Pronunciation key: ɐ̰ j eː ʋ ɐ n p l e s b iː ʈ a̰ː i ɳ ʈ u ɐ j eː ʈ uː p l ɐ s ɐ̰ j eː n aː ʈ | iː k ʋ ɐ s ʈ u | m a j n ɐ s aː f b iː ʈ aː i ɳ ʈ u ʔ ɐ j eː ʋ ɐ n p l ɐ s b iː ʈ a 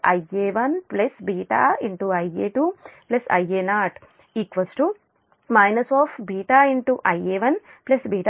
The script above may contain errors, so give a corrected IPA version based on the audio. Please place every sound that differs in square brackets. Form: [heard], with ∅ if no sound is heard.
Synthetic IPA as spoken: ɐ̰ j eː ʋ ɐ n p l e s b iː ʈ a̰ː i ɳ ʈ u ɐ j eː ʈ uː p l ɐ s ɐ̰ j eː n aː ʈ | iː k ʋ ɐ s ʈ u | m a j n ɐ s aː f b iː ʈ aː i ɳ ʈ u ʔ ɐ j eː ʋ ɐ n p l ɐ s b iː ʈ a